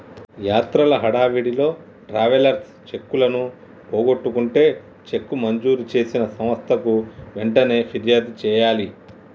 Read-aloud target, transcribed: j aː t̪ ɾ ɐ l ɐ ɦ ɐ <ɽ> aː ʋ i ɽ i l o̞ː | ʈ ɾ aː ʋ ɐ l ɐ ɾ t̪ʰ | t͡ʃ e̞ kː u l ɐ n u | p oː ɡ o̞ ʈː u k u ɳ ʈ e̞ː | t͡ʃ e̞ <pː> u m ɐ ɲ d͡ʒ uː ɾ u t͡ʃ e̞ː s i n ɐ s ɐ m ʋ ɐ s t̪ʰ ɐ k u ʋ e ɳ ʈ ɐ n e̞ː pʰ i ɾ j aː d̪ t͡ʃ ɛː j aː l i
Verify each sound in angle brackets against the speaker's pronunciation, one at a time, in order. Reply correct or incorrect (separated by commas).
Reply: correct, incorrect